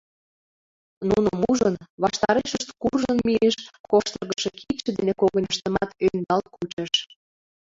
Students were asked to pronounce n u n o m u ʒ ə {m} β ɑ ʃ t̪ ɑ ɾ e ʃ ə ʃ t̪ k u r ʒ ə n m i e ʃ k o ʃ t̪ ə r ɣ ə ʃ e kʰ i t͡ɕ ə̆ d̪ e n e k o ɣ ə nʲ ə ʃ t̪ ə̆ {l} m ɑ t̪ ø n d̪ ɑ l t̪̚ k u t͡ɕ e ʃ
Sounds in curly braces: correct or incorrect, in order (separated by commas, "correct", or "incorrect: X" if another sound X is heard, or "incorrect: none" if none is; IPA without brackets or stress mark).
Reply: incorrect: n, incorrect: none